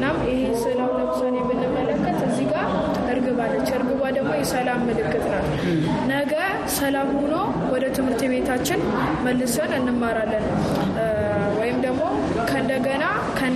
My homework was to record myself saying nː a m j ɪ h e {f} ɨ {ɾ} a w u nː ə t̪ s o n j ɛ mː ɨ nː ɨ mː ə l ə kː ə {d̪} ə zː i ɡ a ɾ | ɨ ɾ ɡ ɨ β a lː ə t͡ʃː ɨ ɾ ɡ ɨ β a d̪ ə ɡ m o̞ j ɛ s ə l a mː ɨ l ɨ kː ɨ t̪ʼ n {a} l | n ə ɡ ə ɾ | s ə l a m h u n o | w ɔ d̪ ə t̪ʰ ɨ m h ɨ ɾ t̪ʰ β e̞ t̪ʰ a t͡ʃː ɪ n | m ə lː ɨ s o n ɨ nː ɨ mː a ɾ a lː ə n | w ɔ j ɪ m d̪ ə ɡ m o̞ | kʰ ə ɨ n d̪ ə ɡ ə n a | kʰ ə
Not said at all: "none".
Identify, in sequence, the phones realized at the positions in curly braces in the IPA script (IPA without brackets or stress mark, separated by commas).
s, l, t̪, a